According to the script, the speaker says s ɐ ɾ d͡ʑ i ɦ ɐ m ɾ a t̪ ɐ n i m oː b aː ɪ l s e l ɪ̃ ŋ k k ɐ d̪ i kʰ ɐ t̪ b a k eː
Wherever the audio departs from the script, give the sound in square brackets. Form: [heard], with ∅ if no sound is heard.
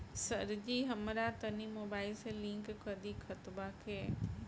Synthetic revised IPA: s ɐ ɾ d͡ʑ i ɦ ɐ m ɾ a t̪ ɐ n i m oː b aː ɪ l s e l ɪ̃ ŋ k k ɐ d̪ i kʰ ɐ t̪ b a [kʰ] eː